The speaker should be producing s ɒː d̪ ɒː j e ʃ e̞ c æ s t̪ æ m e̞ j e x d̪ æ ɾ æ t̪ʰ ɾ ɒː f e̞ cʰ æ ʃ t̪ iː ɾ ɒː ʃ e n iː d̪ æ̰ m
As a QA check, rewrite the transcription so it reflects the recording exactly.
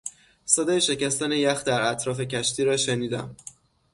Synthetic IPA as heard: s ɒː d̪ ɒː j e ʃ e̞ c æ s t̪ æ n e̞ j æ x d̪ æ ɾ æ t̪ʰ ɾ ɒː f e̞ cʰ æ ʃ t̪ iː ɾ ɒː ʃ e n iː d̪ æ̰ m